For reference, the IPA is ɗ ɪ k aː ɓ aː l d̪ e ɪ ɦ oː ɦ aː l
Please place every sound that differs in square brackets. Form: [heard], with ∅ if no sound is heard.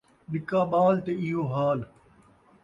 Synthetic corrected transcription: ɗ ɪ k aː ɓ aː l [t̪] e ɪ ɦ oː ɦ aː l